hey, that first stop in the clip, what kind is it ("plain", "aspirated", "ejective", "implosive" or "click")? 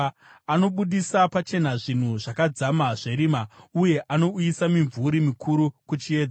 implosive